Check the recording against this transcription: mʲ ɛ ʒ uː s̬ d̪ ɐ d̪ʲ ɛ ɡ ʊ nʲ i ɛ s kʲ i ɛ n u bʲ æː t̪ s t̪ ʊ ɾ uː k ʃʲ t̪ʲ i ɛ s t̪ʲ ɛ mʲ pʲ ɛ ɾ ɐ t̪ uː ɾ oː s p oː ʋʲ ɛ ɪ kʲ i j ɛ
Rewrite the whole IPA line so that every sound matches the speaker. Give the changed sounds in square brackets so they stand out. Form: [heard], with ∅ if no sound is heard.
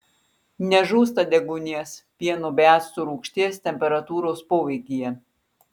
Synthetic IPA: [nʲ] ɛ ʒ uː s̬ [t̪] ɐ d̪ʲ ɛ ɡ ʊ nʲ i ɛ s [pʲ] i ɛ n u bʲ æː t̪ s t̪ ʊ ɾ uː k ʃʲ t̪ʲ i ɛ s t̪ʲ ɛ mʲ pʲ ɛ ɾ ɐ t̪ uː ɾ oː s p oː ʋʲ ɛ ɪ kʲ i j ɛ